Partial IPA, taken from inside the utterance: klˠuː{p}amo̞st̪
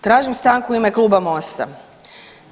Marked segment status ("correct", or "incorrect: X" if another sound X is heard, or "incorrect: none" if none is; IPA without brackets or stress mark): incorrect: b